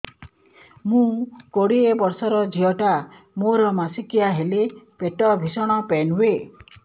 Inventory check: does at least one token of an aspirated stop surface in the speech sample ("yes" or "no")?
no